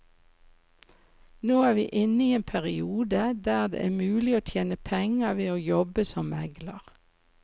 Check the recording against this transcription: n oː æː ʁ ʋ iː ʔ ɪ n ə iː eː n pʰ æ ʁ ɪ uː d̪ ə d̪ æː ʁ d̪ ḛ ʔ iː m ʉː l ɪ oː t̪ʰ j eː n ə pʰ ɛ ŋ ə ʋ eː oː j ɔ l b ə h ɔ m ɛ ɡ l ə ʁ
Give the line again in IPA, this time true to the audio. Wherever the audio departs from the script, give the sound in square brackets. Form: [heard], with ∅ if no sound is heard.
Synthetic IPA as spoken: n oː æː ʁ ʋ iː ʔ ɪ n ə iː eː n pʰ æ ʁ ɪ uː d̪ ə d̪ æː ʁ d̪ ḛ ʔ [æː] m ʉː l ɪ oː t̪ʰ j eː n ə pʰ ɛ ŋ ə ʋ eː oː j ɔ [∅] b ə [s] ɔ m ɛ ɡ l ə ʁ